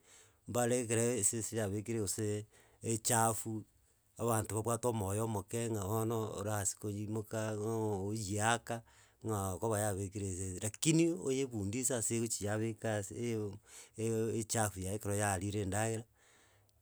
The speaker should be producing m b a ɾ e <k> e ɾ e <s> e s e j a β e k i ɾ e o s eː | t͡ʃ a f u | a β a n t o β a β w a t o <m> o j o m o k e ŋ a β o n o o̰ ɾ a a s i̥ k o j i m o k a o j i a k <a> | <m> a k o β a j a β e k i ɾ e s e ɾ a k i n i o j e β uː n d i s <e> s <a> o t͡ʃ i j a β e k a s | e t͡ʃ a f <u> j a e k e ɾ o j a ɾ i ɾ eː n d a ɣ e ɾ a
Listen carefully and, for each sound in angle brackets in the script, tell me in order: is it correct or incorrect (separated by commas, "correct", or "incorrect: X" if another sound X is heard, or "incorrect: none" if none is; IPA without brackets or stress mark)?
correct, correct, correct, correct, incorrect: ŋ, incorrect: a, incorrect: e, correct